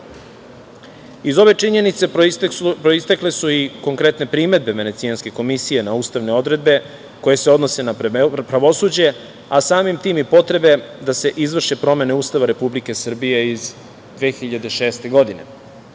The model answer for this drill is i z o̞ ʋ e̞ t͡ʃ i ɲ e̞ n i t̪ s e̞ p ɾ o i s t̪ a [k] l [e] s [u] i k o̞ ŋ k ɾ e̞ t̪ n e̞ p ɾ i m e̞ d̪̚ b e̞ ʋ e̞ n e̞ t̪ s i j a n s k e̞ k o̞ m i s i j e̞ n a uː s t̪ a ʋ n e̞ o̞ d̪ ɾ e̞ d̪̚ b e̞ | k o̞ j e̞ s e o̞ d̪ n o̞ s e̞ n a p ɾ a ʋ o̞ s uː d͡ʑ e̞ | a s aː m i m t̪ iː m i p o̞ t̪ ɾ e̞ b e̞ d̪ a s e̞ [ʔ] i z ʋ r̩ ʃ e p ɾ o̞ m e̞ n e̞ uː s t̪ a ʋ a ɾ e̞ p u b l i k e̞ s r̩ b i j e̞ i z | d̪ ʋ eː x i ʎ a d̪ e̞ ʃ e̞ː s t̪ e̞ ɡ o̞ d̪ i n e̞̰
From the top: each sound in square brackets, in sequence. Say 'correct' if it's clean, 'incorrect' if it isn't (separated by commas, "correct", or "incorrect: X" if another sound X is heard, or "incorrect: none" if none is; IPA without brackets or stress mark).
correct, correct, correct, correct